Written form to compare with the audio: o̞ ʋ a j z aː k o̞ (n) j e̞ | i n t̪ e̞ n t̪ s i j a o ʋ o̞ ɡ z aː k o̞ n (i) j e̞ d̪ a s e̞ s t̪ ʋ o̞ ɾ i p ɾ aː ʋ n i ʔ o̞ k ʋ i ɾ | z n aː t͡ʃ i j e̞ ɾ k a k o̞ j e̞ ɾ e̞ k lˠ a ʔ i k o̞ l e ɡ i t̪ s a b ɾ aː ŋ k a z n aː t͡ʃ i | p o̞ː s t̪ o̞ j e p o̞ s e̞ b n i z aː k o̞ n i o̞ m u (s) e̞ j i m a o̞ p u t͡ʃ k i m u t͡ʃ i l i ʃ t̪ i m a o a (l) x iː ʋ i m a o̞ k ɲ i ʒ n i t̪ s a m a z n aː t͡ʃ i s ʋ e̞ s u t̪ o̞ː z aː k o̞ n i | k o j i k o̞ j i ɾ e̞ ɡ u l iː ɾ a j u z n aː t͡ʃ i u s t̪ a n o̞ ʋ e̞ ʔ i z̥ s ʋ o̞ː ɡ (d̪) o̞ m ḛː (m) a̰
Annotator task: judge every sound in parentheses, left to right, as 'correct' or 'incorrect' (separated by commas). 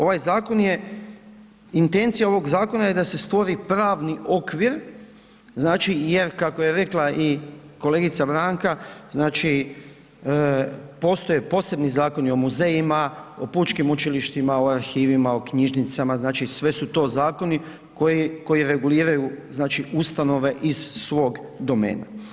correct, incorrect, incorrect, incorrect, correct, incorrect